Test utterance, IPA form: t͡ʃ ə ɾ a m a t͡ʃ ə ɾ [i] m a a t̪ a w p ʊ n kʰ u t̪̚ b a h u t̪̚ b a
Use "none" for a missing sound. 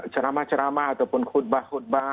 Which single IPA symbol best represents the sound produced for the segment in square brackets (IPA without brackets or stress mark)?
a